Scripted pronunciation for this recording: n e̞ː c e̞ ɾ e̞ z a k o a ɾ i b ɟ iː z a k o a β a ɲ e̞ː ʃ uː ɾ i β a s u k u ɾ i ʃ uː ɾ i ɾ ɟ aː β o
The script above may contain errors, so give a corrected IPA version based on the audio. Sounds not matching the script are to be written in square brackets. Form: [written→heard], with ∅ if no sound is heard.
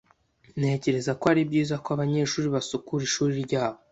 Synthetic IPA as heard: n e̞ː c e̞ ɾ e̞ z a k o a ɾ i b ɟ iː z a k o a β a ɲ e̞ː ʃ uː ɾ i β a s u k u ɾ i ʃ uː ɾ i ɾ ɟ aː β o